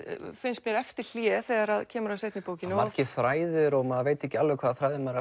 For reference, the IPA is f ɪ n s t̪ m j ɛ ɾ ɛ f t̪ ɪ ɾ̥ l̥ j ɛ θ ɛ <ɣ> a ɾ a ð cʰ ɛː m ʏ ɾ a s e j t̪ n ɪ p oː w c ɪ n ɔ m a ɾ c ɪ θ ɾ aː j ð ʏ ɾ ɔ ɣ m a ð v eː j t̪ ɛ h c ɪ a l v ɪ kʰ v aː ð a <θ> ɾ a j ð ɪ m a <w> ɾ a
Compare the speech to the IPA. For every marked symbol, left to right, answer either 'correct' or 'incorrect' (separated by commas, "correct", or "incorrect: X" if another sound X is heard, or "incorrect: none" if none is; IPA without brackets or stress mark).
correct, correct, incorrect: none